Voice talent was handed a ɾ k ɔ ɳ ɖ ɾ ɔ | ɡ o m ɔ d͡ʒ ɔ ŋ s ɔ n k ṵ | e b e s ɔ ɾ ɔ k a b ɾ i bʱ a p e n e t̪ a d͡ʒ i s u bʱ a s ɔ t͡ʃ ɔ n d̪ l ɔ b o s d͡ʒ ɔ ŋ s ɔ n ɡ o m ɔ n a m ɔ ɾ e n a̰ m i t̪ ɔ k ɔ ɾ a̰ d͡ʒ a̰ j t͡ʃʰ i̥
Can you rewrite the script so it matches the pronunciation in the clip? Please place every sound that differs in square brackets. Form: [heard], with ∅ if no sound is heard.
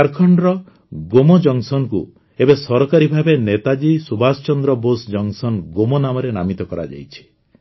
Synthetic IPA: a ɾ [kʰ] ɔ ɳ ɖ ɾ ɔ | ɡ o m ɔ d͡ʒ ɔ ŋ s ɔ n k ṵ | e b e s ɔ ɾ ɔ k a [∅] ɾ i bʱ a [b] e n e t̪ a d͡ʒ i s u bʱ a s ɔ t͡ʃ ɔ n d̪ [ɾ] ɔ b o s d͡ʒ ɔ ŋ s ɔ n ɡ o m ɔ n a m ɔ ɾ e n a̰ m i t̪ ɔ k ɔ ɾ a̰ d͡ʒ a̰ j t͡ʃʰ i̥